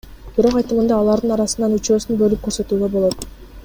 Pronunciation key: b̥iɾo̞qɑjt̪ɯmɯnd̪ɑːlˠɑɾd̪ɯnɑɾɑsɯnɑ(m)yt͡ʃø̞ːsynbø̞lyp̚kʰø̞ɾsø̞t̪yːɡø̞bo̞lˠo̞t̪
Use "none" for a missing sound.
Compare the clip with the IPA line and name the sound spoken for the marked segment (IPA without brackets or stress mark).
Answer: n